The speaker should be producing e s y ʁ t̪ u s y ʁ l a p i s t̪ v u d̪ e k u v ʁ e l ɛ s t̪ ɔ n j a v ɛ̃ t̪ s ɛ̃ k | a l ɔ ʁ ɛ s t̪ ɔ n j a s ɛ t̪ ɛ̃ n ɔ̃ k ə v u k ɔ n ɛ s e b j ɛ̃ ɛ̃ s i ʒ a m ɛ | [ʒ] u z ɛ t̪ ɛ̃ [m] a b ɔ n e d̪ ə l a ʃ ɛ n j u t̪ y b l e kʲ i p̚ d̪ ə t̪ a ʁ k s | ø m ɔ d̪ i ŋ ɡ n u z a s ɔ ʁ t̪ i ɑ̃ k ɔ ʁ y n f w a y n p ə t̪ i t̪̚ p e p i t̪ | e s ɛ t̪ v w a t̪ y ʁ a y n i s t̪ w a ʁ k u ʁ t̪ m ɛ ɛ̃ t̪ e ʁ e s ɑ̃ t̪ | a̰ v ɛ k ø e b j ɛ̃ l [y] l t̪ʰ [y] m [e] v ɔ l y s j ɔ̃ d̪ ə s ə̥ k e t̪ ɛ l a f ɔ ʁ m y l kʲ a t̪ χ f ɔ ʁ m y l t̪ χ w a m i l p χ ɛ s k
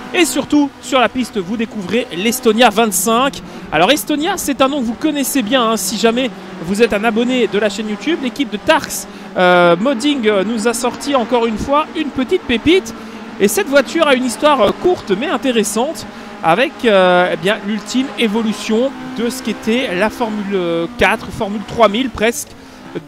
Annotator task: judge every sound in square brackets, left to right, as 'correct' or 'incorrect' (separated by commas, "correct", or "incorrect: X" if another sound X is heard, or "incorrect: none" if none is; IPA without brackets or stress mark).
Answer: incorrect: v, incorrect: n, correct, incorrect: i, correct